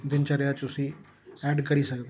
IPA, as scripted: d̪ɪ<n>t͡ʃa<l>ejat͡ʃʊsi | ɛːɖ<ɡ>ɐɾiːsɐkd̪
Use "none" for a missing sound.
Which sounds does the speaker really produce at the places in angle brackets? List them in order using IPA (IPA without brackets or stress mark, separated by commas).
n, ɾ, k